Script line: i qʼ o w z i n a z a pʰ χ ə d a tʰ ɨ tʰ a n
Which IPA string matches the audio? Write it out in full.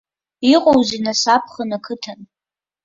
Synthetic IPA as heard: i qʼ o w z i n a s a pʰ χ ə n a kʰ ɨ tʰ a n